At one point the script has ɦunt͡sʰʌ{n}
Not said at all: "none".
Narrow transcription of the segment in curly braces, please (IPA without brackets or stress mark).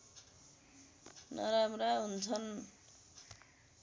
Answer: n